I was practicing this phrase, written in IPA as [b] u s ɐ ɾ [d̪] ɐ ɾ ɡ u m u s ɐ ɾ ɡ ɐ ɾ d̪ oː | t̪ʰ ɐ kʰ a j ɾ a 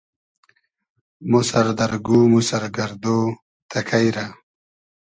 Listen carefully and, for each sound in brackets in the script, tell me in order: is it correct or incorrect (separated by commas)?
incorrect, correct